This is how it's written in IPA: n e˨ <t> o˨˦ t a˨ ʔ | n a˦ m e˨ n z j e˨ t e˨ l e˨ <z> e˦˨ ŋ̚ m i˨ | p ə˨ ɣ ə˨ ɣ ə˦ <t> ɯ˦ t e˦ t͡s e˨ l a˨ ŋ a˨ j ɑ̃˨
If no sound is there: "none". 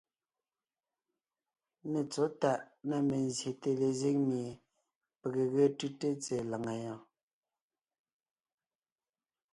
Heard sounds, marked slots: t͡s, z, t

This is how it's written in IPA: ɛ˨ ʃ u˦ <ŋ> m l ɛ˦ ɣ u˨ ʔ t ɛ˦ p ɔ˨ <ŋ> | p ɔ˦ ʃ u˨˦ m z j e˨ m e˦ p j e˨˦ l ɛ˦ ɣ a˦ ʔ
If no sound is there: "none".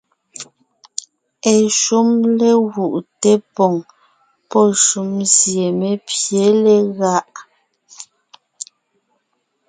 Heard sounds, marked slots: none, ŋ

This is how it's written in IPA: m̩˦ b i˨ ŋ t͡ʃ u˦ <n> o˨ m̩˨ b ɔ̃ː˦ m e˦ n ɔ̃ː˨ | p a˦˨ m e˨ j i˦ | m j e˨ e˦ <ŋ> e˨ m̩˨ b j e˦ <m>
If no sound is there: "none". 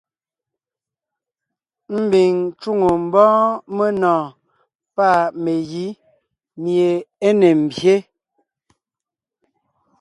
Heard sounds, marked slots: ŋ, n, none

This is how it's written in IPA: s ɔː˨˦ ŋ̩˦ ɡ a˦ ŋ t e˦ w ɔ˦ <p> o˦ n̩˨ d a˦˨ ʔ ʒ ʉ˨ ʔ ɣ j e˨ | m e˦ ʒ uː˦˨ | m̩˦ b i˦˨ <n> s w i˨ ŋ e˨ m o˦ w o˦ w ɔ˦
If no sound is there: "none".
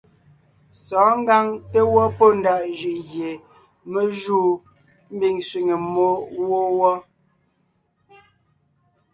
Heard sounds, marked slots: p, ŋ

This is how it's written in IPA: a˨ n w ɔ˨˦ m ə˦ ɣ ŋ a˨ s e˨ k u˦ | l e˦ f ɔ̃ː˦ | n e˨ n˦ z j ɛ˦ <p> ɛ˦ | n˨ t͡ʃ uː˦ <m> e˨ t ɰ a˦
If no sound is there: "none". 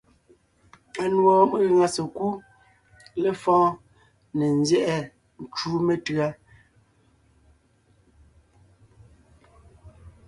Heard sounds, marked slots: ʔ, m

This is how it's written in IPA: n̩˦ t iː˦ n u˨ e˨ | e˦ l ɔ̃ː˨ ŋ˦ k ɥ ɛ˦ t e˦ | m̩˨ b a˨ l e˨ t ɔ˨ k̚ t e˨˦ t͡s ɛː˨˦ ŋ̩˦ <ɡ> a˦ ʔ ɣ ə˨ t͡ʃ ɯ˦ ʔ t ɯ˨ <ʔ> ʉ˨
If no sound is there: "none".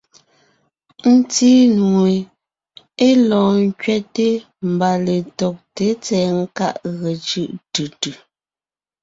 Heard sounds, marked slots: k, t

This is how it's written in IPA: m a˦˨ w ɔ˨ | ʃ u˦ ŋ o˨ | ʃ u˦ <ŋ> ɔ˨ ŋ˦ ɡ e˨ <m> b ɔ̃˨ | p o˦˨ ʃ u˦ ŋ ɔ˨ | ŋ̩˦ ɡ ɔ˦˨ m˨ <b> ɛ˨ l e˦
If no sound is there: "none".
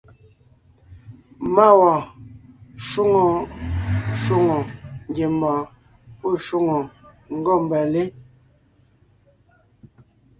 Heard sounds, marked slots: ŋ, m, b

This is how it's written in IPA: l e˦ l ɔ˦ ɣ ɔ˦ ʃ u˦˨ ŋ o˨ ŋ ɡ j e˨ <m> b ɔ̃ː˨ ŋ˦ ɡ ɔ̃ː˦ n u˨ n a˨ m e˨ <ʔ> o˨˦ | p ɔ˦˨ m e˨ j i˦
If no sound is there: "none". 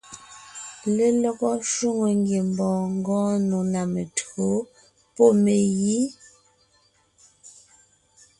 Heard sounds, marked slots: m, t

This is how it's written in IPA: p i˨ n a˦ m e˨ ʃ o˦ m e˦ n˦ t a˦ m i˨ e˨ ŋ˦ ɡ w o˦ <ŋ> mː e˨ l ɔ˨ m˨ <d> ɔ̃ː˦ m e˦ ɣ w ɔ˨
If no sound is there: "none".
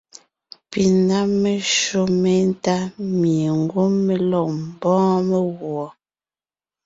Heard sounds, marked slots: none, b

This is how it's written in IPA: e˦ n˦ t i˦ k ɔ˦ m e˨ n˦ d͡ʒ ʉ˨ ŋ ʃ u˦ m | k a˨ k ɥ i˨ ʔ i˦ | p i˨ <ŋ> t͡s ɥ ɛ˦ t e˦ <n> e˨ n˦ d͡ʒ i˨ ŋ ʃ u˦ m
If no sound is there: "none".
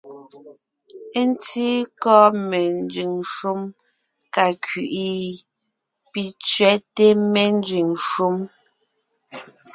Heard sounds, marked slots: none, m

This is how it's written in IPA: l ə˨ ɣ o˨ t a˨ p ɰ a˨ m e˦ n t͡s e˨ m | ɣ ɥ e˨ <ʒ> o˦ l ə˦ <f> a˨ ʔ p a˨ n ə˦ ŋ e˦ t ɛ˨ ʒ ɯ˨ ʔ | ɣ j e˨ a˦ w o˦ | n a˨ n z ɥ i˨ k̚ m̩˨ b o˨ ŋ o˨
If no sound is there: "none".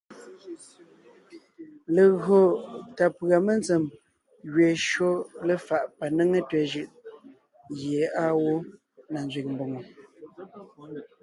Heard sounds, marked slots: ʃ, f

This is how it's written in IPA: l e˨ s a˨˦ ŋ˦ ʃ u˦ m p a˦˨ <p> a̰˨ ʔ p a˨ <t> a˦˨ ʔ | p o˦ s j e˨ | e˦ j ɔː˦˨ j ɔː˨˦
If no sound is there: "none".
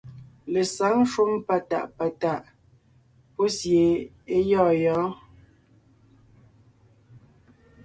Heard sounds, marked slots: t, t

